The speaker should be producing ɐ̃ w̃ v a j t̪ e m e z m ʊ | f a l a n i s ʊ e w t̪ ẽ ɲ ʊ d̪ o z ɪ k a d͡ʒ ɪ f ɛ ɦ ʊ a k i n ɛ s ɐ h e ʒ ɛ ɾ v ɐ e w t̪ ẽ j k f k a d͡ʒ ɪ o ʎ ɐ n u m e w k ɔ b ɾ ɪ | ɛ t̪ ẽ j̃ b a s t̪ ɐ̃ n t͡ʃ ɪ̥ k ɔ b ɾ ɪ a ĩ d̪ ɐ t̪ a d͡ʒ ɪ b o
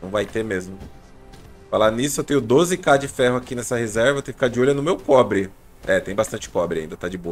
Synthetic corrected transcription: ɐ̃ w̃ v a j t̪ e m e z m ʊ | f a l a n i s ʊ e w t̪ ẽ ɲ ʊ d̪ o z ɪ k a d͡ʒ ɪ f ɛ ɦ ʊ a k i n ɛ s ɐ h e z ɛ ɾ v ɐ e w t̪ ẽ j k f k a d͡ʒ ɪ o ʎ ɐ n ʊ m e w k ɔ b ɾ ɪ | ɛ t̪ ẽ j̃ b a s t̪ ɐ̃ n t͡ʃ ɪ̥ k ɔ b ɾ ɪ a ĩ d̪ ɐ t̪ a d͡ʒ ɪ b o

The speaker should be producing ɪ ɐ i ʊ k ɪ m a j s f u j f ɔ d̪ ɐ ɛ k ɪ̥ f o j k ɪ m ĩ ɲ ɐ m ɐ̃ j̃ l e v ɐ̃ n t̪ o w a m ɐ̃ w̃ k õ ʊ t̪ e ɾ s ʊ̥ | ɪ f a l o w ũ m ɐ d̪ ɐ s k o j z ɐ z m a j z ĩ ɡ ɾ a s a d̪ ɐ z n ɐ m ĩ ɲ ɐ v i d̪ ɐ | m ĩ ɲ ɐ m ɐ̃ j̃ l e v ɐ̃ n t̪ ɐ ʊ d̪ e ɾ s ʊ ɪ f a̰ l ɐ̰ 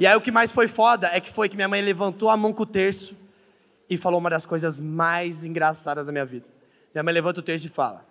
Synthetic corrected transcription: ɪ a i ʊ k ɪ m a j s f o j f ɔ d̪ ɐ ɛ k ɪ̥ f o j k ɪ m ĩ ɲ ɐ m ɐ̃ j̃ l e v ɐ̃ n t̪ o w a m ɐ̃ w̃ k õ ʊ t̪ e ɾ s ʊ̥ | ɪ f a l o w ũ m ɐ d̪ ɐ s k o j z ɐ z m a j z ĩ ɡ ɾ a s a d̪ ɐ z n ɐ m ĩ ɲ ɐ v i d̪ ɐ | m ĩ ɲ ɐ m ɐ̃ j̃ l e v ɐ̃ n t̪ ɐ ʊ t̪ e ɾ s ʊ ɪ f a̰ l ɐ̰

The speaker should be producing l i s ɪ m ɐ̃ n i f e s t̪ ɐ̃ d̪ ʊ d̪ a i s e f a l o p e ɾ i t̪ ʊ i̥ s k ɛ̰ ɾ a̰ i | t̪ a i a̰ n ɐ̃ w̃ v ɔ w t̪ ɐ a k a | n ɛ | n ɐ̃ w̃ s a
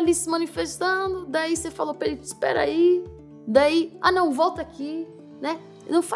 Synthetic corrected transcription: l i s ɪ m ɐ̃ n i f e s t̪ ɐ̃ d̪ ʊ d̪ a i s e f a l o p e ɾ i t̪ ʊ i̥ s p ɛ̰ ɾ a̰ i | d̪ a i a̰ n ɐ̃ w̃ v ɔ w t̪ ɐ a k i | n ɛ | n ɐ̃ w̃ f a

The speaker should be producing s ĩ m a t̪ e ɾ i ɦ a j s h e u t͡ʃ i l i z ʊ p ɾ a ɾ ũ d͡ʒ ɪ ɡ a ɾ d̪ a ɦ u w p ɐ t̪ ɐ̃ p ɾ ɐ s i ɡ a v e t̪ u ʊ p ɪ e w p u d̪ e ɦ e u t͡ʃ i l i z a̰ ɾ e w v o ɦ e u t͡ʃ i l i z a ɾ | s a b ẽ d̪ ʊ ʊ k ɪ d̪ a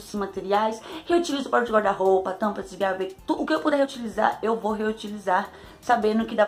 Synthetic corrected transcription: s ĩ m a t̪ e ɾ i a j s h e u t͡ʃ i l i z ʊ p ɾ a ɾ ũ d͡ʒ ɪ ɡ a ɾ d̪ a ɦ o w p ɐ t̪ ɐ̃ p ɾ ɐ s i ɡ a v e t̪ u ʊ k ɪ e w p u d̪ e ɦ e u t͡ʃ i l i z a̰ ɾ e w v o ɦ e u t͡ʃ i l i z a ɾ | s a b ẽ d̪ ʊ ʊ k ɪ d̪ a

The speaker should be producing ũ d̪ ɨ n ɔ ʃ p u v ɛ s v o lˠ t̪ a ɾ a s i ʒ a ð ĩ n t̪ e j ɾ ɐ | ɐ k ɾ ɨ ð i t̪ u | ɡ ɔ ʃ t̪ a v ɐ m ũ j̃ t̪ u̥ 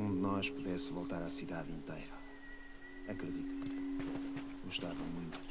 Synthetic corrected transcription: ũ d̪ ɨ n ɔ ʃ p u ð ɛ s v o lˠ t̪ a ɾ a s i ð a ð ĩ n t̪ e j ɾ ɐ | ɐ k ɾ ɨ ð i t̪ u | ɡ u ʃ t̪ a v ɐ m ũ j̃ t̪ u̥

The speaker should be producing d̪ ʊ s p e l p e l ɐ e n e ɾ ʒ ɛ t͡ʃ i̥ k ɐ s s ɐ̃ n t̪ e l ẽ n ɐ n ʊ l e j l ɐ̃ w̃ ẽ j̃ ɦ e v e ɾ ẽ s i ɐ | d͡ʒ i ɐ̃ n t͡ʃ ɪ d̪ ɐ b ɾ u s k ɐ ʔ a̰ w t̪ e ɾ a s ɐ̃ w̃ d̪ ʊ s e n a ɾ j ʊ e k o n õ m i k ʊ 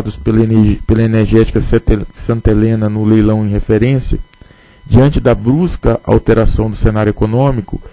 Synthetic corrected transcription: d̪ ʊ s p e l p e l ɐ e n e ɾ ʒ ɛ t͡ʃ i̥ k ɐ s s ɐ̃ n t̪ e l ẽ n ɐ n ʊ l e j l ɐ̃ w̃ ẽ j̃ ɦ e f e ɾ ẽ s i ɐ | d͡ʒ i ɐ̃ n t͡ʃ ɪ d̪ ɐ b ɾ u s k ɐ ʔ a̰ w t̪ e ɾ a s ɐ̃ w̃ d̪ ʊ s e n a ɾ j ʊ e k o n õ m i k ʊ

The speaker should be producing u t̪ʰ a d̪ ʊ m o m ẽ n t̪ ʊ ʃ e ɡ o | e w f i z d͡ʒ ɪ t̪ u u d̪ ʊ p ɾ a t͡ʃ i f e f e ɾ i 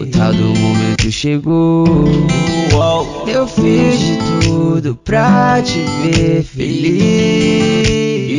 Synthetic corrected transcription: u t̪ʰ a d̪ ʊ m o m ẽ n t̪ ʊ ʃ e ɡ o | e w f i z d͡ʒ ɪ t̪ u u d̪ ʊ p ɾ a t͡ʃ i v e f e l i

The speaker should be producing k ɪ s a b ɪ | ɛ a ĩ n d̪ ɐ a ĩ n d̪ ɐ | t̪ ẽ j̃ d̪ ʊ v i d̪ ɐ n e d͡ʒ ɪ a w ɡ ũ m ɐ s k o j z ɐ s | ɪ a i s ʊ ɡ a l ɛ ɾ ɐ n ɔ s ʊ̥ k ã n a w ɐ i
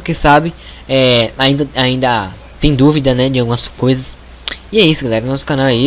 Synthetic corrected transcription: k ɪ s a b ɪ | ɛ a ĩ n d̪ ɐ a ĩ n d̪ ɐ | t̪ ẽ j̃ d̪ u v i d̪ ɐ n ɛ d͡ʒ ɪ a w ɡ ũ m ɐ s k o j z ɐ s | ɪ ɛ i s ʊ ɡ a l ɛ ɾ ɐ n ɔ s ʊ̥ k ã n a w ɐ i

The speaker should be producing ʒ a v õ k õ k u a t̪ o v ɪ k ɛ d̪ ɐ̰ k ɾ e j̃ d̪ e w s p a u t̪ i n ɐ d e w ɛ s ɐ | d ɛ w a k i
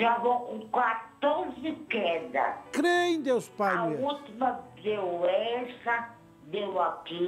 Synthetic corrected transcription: ʒ a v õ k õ k w a t̪ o z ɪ k ɛ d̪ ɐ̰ k ɾ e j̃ d̪ e w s p a u t̪ i m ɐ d e w ɛ s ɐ | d e w a k i

